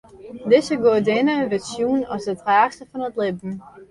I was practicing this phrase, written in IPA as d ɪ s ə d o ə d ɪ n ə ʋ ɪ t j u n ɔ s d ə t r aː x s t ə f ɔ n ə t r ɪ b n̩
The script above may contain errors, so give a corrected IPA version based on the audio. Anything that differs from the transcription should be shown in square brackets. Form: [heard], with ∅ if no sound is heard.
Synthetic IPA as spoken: d ɪ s ə [ɡ] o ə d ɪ n ə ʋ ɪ [s] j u n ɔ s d ə t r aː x s t ə f ɔ n ə t [l] ɪ b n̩